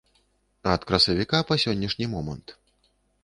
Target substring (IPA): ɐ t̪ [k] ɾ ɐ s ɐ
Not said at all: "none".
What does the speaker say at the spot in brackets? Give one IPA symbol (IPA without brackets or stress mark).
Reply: k